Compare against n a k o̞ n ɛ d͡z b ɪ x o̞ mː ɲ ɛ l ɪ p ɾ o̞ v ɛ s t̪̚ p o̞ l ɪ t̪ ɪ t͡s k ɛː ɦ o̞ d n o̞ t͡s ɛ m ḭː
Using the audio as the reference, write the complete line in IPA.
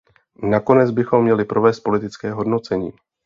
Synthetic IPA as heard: n a k o̞ n ɛ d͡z b ɪ x o̞ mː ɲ ɛ l ɪ p ɾ o̞ v ɛː s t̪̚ p o̞ l ɪ t̪ ɪ t͡s k ɛː ɦ o̞ d n o̞ t͡s ɛ ɲ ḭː